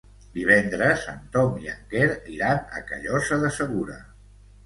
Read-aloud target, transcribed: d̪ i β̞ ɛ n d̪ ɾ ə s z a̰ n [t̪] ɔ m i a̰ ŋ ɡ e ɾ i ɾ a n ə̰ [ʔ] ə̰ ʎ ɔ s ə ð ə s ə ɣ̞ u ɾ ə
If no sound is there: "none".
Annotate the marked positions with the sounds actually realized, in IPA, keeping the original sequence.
t̪, k

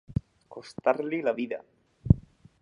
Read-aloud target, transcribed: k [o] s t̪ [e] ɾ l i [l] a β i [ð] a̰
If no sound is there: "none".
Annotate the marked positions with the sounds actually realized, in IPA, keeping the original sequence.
o, a, l, ð

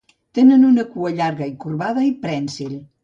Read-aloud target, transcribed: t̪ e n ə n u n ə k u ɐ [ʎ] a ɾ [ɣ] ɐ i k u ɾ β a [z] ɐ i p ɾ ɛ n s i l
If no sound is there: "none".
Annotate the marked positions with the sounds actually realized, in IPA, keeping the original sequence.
ʎ, ɣ, ð

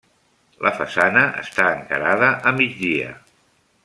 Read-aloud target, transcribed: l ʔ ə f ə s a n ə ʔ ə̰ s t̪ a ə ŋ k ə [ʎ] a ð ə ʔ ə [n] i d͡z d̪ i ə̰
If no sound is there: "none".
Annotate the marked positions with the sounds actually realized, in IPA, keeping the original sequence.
ɾ, m

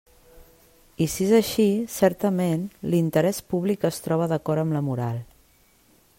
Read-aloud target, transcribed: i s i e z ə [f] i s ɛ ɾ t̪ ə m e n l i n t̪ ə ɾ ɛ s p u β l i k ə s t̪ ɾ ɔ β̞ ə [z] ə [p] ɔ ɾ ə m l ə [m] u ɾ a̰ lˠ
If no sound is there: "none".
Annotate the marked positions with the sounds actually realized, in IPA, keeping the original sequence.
ʃ, ð, k, m

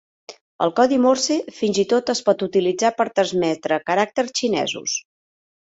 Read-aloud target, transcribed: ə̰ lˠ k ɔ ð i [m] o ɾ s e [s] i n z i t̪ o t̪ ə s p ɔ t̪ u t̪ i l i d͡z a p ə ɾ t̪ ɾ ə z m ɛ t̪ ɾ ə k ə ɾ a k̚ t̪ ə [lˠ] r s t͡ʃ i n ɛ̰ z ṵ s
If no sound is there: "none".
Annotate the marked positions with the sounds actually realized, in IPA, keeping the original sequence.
m, f, none

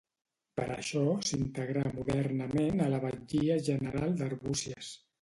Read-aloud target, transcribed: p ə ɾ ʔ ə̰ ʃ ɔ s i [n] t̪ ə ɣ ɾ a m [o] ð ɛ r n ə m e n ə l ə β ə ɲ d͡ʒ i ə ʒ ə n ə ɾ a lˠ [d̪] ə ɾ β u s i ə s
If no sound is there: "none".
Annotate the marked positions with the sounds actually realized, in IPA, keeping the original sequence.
n, u, d̪

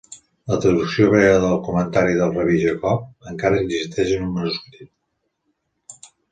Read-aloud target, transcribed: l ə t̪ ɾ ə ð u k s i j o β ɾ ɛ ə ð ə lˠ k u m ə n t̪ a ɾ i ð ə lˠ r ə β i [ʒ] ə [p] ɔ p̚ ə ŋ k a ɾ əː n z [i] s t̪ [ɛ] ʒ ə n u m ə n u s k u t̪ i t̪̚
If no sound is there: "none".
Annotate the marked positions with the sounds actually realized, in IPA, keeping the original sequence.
ʒ, k, i, ɛ

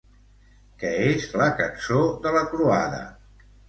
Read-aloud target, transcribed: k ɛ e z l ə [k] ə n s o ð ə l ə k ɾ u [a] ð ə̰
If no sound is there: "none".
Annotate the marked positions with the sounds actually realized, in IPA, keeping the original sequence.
k, a

